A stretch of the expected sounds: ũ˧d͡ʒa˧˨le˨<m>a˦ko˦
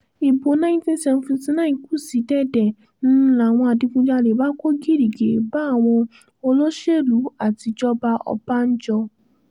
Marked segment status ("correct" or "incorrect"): incorrect